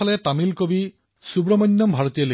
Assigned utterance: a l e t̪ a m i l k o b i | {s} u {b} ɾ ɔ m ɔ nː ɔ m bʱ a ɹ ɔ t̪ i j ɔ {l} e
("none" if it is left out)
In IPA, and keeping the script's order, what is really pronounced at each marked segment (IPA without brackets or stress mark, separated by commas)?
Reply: s, b, l